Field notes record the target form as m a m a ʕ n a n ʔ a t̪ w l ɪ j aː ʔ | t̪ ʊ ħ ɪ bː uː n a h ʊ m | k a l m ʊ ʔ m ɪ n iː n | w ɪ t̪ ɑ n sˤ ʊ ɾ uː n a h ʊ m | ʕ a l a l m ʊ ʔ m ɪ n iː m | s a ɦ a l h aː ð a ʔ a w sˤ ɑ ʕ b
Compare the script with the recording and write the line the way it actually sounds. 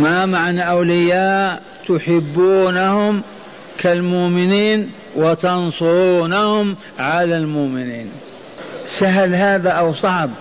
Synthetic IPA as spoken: m a m a ʕ n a ʔ a w l ɪ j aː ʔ | t̪ ʊ ħ ɪ bː uː n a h ʊ m | k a l m ʊ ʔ m ɪ n iː n | w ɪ t̪ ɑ n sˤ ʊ ɾ uː n a h ʊ m | ʕ a l a l m ʊ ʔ m ɪ n iː n | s a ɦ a l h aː ð a ʔ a w sˤ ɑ ʕ b